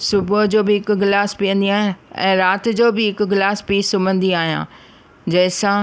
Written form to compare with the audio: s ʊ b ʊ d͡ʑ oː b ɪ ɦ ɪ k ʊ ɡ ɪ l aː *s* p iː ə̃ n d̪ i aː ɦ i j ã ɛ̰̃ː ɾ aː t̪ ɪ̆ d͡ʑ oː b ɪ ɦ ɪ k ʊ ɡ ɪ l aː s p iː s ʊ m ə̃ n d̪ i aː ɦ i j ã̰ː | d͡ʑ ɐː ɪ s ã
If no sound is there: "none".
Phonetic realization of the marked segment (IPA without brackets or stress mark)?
s